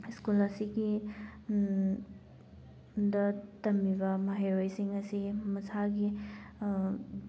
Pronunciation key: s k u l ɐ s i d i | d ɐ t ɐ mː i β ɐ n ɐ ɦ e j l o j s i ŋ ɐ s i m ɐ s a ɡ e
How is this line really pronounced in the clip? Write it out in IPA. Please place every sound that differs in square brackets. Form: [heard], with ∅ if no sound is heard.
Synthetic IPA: s k u l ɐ s i [ɡ] i | d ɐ t ɐ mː i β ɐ [m] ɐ ɦ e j [ɾ] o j s i ŋ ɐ s i m ɐ s a ɡ [i]